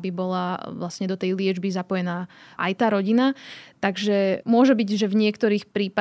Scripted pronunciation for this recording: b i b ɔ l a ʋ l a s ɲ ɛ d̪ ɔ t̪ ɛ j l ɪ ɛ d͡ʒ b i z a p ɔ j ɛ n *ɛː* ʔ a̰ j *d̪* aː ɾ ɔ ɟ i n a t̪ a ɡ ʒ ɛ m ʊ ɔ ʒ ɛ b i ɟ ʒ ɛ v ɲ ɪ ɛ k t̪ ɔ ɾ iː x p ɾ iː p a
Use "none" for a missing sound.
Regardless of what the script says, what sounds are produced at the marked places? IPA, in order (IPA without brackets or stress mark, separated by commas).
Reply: aː, t̪